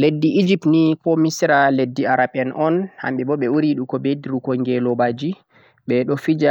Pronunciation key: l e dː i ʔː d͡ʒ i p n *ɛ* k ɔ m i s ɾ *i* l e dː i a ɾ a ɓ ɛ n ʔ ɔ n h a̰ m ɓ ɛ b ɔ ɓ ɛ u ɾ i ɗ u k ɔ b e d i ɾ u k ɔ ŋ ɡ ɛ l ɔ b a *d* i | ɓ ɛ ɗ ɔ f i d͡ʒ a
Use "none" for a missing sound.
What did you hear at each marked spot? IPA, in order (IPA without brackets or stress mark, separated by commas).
i, a, d͡ʒ